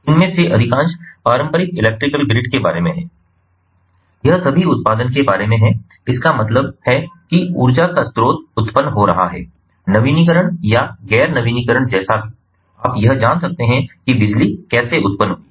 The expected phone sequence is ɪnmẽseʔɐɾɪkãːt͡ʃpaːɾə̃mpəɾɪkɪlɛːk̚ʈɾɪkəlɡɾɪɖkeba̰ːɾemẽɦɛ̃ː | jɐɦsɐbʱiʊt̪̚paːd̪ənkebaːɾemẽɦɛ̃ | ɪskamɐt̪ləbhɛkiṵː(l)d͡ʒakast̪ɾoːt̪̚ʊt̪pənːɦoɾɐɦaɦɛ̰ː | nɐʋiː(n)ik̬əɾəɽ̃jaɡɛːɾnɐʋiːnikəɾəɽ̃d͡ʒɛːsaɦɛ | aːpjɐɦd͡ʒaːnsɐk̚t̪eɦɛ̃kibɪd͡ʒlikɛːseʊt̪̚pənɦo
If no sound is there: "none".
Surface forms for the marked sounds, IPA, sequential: ɾ, n

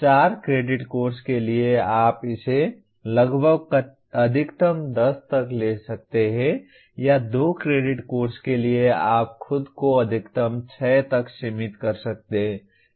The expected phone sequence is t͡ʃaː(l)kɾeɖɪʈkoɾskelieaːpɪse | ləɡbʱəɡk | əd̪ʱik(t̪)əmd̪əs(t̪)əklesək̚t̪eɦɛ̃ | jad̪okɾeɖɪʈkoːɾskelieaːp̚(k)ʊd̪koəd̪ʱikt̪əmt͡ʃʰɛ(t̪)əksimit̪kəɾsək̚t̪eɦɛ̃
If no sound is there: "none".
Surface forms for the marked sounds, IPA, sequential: ɾ, t̪, t̪, kʰ, t̪

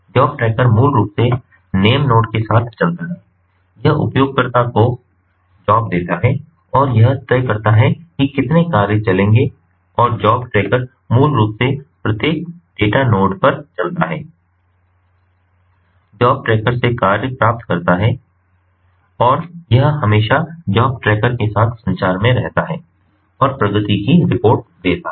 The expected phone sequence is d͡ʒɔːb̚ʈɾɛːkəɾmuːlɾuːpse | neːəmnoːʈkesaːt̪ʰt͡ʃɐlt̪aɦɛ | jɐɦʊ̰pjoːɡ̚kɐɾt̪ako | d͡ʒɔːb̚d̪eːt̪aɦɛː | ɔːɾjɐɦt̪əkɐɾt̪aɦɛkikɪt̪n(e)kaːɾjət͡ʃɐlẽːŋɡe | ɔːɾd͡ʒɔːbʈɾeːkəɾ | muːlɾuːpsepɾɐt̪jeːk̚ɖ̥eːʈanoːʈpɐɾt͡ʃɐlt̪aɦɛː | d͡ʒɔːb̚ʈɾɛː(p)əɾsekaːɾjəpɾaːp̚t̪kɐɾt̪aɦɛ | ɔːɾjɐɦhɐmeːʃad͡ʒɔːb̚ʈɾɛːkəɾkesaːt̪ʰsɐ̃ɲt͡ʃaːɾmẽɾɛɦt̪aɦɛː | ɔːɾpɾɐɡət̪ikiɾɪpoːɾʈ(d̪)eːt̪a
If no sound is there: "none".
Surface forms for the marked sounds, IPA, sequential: e, k, d̪

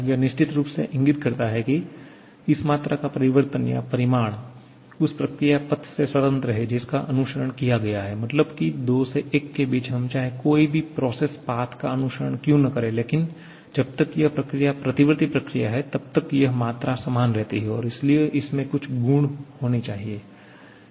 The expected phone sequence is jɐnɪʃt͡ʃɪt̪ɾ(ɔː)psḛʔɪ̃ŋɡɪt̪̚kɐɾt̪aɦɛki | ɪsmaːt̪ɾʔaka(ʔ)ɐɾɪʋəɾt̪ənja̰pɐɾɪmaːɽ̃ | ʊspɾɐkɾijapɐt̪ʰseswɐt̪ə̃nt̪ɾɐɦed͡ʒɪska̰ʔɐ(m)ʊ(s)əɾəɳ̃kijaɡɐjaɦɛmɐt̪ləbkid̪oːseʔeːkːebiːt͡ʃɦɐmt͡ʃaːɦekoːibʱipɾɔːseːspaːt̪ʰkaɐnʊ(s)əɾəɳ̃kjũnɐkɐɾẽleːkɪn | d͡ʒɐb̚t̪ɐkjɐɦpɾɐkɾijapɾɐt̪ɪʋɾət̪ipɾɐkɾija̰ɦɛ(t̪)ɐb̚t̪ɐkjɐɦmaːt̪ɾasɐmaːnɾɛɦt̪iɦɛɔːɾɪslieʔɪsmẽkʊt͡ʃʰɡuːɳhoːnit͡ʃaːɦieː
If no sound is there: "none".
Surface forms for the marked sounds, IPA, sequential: uː, p, n, ʃ, ʃ, t̪

